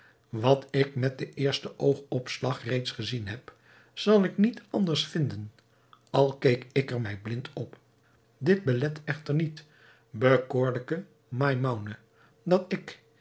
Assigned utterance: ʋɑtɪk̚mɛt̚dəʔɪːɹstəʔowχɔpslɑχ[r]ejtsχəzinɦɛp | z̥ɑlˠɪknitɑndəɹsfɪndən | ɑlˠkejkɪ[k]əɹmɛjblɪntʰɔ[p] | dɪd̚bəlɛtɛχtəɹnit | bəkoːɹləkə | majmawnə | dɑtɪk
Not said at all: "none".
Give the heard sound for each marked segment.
r, k, p

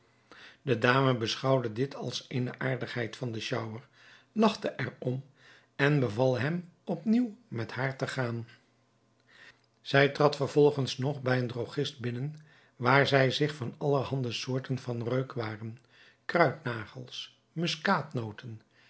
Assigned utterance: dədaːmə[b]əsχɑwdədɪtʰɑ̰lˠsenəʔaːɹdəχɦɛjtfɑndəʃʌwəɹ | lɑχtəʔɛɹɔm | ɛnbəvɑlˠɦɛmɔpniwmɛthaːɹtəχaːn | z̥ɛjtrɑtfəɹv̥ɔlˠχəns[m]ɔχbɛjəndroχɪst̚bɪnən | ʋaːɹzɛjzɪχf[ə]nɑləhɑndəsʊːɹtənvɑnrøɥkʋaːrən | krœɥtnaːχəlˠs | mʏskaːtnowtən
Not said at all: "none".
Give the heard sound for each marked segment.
b, n, ɑ

